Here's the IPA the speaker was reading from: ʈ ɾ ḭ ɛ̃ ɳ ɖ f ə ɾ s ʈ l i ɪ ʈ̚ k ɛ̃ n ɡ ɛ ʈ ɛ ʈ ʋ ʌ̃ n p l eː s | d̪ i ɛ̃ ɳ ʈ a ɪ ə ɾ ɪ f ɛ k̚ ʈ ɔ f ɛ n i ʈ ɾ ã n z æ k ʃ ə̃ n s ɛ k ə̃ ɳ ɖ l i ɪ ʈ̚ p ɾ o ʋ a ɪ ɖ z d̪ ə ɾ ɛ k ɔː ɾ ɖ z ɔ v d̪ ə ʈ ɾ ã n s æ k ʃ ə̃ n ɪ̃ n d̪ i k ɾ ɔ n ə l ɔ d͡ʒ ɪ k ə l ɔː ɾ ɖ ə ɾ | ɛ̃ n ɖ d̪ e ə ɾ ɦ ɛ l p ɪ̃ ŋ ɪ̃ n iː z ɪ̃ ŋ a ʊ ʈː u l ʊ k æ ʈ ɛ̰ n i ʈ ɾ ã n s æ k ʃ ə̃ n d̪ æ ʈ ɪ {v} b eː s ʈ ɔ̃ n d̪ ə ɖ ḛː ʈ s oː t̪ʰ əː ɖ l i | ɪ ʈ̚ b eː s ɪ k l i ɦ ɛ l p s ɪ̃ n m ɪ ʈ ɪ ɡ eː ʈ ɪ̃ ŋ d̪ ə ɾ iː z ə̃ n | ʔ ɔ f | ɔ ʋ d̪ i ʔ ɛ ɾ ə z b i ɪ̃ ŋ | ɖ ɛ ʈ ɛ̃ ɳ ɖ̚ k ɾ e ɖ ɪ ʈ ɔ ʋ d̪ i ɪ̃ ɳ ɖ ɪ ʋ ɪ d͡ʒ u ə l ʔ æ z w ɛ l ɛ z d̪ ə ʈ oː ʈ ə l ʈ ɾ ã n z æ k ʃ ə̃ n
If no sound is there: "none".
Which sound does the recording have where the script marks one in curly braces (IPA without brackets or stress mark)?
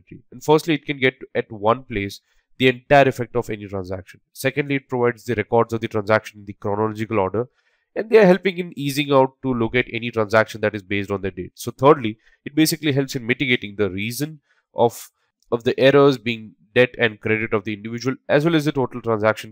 z